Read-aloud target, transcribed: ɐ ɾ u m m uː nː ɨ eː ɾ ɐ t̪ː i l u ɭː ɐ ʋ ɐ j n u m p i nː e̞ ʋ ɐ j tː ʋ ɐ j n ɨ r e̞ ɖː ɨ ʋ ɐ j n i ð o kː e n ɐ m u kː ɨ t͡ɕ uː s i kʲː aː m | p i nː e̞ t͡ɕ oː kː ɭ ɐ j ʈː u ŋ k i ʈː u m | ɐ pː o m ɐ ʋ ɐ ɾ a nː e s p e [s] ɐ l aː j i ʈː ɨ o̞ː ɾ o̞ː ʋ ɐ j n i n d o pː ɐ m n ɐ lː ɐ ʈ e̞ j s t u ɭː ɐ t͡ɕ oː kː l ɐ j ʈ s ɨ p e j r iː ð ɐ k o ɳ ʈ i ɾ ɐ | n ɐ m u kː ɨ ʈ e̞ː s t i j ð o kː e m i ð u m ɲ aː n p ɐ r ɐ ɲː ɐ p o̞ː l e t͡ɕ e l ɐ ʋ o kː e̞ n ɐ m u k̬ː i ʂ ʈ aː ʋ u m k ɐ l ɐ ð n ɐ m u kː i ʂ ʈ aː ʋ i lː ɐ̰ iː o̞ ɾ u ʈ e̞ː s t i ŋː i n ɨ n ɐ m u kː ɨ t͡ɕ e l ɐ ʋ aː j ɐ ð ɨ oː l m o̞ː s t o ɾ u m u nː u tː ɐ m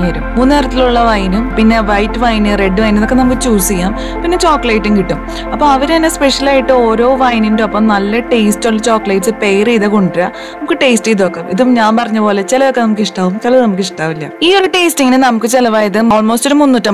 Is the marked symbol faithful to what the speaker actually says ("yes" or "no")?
no